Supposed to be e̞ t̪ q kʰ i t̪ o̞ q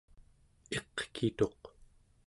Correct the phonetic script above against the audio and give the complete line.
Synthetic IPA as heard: e̞ q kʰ i t̪ o̞ q